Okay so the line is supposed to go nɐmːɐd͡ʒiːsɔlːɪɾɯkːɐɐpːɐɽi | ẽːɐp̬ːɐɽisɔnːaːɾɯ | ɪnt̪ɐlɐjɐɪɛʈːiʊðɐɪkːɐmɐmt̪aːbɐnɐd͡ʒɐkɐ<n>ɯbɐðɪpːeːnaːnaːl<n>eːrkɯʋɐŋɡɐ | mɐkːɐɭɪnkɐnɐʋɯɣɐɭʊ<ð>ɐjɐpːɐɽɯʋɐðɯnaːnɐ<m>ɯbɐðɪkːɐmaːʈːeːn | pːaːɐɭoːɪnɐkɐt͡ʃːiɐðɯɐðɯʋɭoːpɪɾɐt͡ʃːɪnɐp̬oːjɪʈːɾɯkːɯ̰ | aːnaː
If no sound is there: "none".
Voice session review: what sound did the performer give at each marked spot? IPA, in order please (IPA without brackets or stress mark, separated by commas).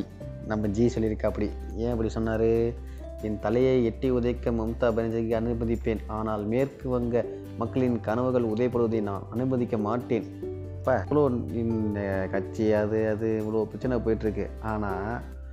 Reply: n, m, ð, n